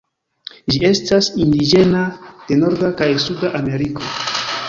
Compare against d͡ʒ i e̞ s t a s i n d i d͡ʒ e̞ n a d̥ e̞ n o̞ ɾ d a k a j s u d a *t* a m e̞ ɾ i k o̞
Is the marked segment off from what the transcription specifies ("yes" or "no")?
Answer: yes